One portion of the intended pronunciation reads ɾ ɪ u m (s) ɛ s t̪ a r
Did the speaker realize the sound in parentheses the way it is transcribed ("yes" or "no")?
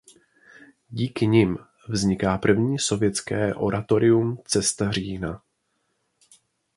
no